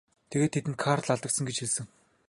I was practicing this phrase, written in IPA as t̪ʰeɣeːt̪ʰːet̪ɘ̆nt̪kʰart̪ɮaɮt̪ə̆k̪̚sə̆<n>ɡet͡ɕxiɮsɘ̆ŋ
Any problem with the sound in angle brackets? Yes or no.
yes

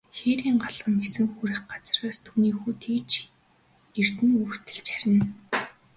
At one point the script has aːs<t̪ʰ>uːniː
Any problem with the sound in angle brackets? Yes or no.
no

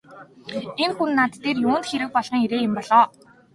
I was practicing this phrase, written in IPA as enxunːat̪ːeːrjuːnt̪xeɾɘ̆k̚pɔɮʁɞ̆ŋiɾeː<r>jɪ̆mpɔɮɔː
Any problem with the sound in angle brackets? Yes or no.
yes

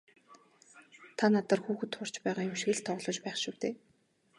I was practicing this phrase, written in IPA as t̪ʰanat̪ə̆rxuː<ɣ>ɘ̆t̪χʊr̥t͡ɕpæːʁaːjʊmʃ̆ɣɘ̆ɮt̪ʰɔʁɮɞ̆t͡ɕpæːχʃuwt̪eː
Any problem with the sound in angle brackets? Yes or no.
yes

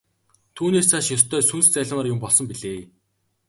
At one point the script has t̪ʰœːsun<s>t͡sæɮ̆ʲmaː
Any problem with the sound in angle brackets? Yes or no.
no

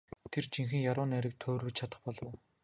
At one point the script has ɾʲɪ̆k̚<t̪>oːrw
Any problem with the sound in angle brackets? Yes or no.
yes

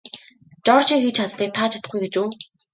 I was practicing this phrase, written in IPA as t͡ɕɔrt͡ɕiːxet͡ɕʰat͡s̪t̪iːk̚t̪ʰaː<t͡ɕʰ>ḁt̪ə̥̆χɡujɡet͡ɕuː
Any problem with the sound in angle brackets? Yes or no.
no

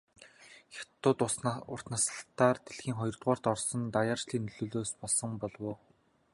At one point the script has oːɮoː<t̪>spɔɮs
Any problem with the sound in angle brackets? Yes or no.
yes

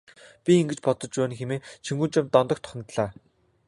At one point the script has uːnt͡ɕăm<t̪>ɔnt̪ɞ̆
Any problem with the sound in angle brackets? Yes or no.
no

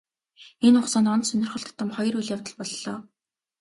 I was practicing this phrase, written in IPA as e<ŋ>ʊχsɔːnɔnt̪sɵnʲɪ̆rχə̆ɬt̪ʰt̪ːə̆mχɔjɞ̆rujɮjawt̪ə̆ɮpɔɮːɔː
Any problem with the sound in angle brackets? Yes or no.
yes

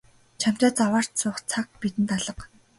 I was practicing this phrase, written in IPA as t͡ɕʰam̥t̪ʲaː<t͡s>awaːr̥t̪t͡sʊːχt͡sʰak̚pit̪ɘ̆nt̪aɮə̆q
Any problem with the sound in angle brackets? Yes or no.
no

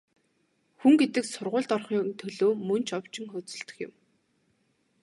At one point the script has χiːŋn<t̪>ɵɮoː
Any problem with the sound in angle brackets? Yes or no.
yes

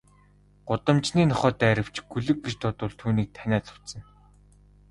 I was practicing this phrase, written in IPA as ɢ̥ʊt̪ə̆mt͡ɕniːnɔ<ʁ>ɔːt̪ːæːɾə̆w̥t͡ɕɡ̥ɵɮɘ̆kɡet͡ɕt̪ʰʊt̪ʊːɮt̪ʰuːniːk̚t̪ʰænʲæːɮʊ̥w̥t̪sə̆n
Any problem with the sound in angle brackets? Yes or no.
yes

